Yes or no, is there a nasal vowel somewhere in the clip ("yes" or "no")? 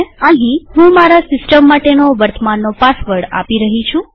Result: yes